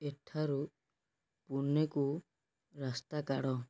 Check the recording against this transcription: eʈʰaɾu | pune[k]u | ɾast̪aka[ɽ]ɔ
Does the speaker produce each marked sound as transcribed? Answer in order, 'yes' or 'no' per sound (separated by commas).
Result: yes, yes